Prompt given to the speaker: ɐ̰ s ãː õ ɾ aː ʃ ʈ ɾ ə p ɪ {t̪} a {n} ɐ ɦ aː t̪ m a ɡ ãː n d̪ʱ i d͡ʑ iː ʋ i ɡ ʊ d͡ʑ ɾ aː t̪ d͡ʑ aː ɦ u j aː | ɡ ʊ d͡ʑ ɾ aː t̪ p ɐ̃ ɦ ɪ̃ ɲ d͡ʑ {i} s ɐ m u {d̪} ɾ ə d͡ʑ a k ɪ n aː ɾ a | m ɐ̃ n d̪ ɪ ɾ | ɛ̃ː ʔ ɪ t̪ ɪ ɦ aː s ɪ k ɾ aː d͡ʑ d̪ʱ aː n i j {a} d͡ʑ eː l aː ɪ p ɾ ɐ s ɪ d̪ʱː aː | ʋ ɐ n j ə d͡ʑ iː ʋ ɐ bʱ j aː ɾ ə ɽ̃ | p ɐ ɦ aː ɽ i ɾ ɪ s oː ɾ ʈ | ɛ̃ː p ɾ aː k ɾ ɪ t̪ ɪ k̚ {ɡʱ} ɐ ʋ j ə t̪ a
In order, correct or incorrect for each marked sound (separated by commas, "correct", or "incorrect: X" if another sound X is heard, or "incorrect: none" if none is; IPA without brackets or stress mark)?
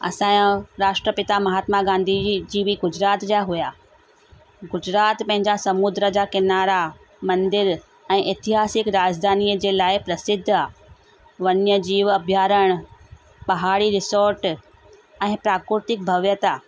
correct, incorrect: m, incorrect: a, correct, incorrect: ə, incorrect: bʱ